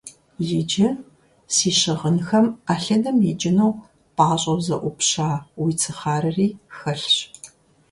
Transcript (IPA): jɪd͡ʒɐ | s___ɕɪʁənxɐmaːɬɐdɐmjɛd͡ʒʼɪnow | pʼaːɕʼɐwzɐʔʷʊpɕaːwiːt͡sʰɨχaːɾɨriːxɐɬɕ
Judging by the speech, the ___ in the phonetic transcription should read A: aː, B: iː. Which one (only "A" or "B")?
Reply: B